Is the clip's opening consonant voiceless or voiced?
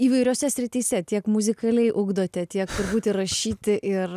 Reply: voiced